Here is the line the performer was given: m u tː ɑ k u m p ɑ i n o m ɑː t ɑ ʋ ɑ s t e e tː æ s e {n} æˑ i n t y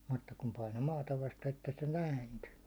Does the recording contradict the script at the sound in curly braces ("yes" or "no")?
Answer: no